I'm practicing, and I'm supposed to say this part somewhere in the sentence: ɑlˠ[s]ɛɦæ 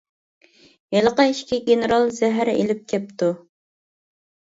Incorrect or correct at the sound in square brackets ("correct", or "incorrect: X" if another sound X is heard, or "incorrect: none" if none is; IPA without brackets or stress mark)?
incorrect: z